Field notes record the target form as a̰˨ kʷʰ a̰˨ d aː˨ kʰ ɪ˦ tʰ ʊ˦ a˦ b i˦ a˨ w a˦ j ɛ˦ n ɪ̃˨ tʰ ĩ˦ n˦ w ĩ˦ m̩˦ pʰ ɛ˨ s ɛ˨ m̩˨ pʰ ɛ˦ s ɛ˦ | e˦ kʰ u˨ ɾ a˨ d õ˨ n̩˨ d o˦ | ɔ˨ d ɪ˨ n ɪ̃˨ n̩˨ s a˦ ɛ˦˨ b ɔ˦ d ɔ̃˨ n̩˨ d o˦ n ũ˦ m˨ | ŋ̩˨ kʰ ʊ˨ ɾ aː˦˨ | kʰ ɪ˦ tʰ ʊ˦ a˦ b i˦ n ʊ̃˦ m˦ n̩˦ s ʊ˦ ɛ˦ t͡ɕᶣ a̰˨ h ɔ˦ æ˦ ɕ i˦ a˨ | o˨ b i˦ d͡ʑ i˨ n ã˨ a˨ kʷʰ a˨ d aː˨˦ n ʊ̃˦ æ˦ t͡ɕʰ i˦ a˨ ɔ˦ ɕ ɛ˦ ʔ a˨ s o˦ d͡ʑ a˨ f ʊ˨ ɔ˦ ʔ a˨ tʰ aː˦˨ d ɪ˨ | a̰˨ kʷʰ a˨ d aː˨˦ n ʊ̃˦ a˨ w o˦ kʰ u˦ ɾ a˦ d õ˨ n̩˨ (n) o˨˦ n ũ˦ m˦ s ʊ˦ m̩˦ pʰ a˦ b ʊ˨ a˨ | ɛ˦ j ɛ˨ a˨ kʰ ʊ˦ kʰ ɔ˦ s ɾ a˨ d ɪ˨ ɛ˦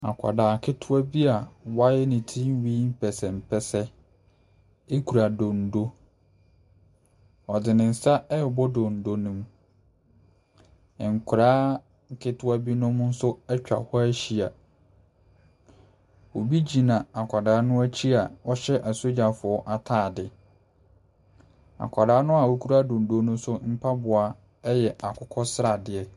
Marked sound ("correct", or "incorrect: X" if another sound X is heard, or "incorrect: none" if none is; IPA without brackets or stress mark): incorrect: d